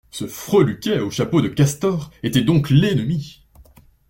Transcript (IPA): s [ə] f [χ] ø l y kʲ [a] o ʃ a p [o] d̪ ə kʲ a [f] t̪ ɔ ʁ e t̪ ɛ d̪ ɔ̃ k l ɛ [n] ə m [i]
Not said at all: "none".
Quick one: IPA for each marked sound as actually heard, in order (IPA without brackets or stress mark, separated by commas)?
ə, χ, ɛ, o, s, n, i